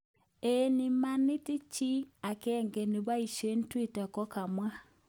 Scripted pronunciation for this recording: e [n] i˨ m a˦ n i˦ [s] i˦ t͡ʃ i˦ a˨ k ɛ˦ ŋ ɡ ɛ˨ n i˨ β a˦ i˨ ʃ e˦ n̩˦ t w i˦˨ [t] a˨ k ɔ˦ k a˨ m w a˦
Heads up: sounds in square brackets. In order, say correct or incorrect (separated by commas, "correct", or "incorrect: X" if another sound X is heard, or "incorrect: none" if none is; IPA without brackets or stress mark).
correct, incorrect: t, correct